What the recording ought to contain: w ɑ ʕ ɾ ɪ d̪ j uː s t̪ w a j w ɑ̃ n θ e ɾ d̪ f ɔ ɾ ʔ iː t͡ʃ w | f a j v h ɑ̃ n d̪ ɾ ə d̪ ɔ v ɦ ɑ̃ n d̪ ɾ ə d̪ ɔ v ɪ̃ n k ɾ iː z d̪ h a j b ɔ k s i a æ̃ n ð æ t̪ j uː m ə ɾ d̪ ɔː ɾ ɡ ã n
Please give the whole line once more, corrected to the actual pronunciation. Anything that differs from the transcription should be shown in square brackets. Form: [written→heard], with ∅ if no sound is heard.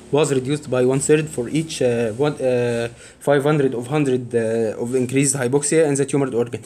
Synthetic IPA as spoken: w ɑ [ʕ→z] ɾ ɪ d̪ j uː s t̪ [w→b] a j w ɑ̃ n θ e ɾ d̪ f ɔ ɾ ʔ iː t͡ʃ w | f a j v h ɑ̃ n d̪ ɾ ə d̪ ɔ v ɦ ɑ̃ n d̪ ɾ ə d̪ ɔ v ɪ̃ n k ɾ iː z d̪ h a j b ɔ k s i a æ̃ n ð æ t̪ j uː m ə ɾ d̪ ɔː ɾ ɡ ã n